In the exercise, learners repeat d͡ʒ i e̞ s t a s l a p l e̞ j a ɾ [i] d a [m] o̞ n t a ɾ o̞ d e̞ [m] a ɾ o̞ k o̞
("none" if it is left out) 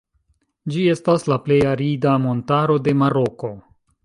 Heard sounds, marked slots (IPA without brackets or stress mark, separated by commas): i, m, m